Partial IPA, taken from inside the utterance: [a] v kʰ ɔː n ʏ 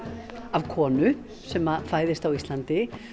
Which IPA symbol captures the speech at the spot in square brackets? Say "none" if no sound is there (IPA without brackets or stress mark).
a